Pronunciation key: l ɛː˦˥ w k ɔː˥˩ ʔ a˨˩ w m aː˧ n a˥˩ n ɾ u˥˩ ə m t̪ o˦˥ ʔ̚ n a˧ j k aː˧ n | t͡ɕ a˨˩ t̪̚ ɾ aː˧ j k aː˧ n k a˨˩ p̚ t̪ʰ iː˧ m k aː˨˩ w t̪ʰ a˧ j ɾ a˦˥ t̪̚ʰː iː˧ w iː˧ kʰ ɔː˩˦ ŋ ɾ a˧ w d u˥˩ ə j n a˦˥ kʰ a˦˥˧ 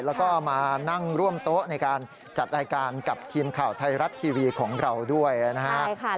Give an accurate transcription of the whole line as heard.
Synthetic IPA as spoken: l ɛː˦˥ w k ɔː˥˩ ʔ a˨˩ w m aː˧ n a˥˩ ŋ ɾ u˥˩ ə m t̪ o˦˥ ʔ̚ n a˧ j k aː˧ n | t͡ɕ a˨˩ t̪̚ ɾ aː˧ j k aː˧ n k a˨˩ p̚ t̪ʰ iː˧ m kʰ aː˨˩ w t̪ʰ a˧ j ɾ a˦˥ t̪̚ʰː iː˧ w iː˧ kʰ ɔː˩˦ ŋ ɾ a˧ w d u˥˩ ə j n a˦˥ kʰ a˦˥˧